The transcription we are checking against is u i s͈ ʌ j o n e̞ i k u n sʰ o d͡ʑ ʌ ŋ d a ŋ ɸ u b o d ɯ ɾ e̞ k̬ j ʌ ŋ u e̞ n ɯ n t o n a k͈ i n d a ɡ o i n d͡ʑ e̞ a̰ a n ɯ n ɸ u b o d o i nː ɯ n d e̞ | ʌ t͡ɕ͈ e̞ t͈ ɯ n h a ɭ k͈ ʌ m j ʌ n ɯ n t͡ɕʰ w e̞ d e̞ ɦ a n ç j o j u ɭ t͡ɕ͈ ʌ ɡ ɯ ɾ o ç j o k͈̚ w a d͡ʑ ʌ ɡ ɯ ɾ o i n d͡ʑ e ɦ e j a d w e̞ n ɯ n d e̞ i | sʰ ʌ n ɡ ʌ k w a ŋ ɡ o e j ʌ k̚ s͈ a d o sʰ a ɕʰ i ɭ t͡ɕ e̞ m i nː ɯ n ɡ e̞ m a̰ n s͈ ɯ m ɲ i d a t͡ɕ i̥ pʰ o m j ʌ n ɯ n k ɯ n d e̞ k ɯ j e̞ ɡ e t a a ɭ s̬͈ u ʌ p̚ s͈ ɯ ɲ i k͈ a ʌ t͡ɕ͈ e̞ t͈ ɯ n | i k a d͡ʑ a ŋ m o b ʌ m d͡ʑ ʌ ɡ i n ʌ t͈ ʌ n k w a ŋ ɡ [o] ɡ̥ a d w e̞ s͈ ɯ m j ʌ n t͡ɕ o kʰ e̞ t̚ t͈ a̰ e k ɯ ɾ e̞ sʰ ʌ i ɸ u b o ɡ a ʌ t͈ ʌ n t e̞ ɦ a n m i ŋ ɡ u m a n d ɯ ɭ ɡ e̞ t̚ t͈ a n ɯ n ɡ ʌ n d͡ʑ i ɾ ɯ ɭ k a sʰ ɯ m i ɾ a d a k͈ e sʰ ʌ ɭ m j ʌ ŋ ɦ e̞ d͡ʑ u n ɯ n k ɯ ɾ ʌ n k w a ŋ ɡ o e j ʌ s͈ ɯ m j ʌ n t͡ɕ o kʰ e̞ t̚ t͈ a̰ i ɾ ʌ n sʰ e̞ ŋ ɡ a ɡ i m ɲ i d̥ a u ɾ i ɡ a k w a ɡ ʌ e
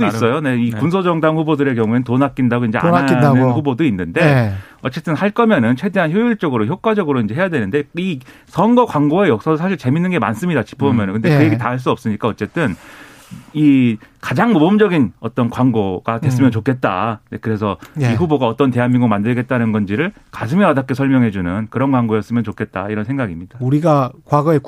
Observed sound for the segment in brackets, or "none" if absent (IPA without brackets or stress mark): o